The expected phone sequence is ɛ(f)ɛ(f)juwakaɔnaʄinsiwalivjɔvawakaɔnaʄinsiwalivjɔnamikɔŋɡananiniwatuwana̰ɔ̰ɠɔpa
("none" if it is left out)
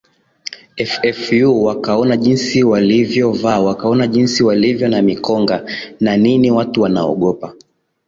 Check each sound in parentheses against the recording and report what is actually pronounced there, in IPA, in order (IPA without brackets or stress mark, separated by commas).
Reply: f, f